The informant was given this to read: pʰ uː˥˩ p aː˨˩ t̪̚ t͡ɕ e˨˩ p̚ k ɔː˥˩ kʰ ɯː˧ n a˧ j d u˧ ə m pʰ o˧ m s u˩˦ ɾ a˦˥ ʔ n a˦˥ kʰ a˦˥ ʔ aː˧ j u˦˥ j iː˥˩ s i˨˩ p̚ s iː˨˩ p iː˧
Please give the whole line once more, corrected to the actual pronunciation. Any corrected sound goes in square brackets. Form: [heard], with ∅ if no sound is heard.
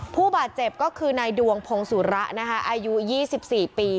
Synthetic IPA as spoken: pʰ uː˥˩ [b] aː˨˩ t̪̚ t͡ɕ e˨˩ p̚ k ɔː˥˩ kʰ ɯː˧ n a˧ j d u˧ ə [ŋ] pʰ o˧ [ŋ] s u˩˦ ɾ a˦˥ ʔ n a˦˥ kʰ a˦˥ ʔ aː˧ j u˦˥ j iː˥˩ s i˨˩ p̚ s iː˨˩ p iː˧